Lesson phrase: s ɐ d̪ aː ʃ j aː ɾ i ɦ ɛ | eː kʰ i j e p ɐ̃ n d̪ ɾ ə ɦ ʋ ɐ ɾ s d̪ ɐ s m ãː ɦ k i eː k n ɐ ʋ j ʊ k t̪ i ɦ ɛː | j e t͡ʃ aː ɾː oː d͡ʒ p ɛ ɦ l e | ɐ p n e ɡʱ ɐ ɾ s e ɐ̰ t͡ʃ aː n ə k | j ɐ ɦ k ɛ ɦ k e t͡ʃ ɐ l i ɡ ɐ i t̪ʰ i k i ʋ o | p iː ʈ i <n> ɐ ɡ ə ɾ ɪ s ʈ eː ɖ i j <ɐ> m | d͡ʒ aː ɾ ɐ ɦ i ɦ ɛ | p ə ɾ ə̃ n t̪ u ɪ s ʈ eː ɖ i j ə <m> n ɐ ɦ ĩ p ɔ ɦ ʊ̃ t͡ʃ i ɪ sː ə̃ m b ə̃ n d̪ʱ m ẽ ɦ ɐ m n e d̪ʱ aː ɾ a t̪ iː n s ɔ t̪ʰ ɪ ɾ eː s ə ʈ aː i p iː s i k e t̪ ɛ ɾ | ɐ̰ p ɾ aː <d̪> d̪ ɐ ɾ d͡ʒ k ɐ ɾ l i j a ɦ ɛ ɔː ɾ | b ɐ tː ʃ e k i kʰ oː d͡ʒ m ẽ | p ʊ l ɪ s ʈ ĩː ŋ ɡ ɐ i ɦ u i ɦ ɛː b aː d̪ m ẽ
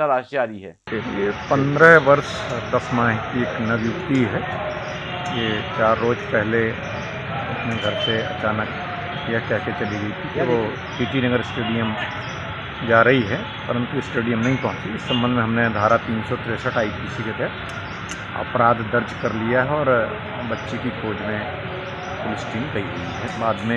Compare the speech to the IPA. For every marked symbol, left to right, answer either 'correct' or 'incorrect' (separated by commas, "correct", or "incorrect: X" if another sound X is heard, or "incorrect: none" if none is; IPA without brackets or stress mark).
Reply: correct, incorrect: ə, correct, correct